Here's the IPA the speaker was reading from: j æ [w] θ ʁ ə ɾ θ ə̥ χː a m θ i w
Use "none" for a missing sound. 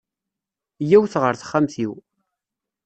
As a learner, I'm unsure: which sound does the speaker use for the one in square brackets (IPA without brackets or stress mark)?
w